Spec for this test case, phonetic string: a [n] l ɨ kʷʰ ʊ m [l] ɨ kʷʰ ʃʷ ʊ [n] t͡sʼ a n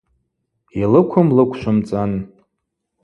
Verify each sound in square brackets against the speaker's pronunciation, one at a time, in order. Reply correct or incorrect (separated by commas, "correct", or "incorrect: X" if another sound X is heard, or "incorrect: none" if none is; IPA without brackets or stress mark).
incorrect: none, correct, incorrect: m